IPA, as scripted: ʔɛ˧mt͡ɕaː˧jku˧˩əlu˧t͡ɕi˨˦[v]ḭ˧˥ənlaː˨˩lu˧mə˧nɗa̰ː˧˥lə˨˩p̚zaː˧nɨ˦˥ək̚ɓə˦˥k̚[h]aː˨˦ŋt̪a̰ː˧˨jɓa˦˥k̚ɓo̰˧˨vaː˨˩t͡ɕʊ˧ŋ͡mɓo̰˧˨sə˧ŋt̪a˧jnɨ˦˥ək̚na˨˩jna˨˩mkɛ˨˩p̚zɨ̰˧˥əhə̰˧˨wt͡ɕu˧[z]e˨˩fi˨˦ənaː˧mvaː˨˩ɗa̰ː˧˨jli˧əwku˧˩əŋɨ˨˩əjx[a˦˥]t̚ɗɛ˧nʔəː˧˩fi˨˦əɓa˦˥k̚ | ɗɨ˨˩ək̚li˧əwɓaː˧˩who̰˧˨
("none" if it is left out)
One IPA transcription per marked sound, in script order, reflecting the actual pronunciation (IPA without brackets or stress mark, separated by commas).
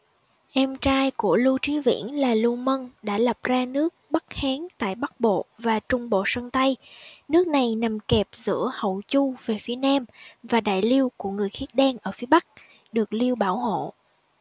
v, h, v, i˦˥